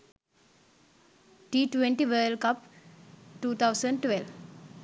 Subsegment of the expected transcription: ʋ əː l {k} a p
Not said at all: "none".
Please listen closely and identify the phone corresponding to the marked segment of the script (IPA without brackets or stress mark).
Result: k